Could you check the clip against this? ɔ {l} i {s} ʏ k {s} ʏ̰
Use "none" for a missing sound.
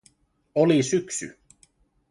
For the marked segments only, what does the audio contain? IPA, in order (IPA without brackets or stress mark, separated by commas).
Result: l, s, s